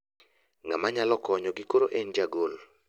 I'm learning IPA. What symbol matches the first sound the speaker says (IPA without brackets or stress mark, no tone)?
ŋ